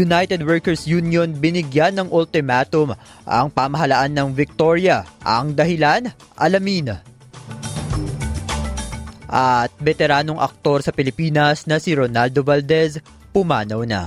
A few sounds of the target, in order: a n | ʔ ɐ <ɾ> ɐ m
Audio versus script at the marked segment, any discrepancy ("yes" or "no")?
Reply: yes